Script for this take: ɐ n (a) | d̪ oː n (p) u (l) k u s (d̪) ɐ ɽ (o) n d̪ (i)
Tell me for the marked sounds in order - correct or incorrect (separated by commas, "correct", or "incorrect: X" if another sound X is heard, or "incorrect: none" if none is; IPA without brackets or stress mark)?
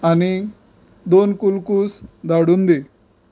incorrect: i, incorrect: k, correct, correct, incorrect: u, correct